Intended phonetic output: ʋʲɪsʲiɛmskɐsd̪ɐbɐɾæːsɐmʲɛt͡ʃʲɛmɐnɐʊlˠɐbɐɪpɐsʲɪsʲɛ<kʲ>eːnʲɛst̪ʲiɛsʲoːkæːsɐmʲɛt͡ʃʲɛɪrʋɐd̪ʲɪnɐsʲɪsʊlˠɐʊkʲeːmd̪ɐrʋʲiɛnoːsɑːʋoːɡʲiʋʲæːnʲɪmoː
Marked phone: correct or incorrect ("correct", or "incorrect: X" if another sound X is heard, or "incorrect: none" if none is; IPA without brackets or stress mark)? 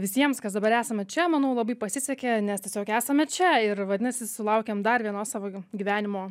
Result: correct